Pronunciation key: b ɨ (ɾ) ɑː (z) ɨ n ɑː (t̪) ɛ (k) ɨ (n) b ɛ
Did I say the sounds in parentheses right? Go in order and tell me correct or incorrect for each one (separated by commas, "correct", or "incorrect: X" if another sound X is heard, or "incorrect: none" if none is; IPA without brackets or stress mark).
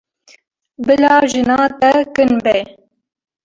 incorrect: l, incorrect: ʒ, correct, correct, correct